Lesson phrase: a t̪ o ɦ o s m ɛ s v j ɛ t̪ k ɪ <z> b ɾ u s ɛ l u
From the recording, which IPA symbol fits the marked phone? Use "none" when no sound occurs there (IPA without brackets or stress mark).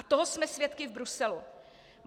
v